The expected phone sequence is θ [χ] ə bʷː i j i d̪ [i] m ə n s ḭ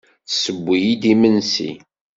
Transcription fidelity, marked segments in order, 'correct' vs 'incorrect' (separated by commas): incorrect, correct